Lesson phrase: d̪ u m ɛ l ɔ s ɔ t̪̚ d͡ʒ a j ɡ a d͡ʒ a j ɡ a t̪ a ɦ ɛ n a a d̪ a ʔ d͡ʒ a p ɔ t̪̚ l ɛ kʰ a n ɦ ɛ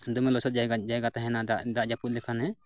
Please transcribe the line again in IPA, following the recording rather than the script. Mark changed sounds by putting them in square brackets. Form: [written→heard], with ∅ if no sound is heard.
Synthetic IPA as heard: d̪ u m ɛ l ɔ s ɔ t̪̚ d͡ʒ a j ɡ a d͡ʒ a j ɡ a t̪ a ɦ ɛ n a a d̪ a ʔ d͡ʒ a p [ɔ→u] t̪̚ l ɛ kʰ a n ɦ ɛ